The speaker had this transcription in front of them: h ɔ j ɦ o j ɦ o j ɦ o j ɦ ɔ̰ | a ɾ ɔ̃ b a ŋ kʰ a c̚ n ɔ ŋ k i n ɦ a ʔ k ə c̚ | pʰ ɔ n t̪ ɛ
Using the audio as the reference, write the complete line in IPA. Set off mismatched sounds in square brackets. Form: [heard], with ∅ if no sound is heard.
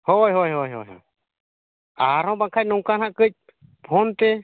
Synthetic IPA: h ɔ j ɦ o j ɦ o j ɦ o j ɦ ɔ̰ | a ɾ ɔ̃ b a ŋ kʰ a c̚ n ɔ ŋ k [a] n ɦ a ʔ k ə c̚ | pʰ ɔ n t̪ ɛ